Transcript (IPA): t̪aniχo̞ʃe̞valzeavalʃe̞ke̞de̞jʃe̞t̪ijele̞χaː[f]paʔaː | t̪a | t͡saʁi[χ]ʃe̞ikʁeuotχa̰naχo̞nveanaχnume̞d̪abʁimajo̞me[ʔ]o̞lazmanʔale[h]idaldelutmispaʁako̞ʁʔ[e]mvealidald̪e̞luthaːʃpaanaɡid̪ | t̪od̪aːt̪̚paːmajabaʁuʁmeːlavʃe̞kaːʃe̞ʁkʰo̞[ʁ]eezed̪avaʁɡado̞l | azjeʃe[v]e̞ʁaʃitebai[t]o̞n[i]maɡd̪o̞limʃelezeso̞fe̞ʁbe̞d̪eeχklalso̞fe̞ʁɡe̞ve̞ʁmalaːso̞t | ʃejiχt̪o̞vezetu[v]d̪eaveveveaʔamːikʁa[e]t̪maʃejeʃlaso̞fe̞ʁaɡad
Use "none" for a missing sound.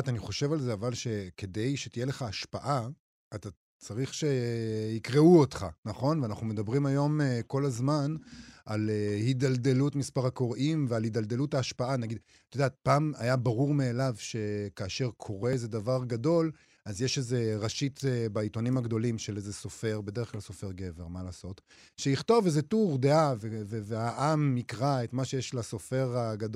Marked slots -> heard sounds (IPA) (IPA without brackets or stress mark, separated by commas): ʃ, χ, k, h, i, ʁ, z, t, i, ʁ, e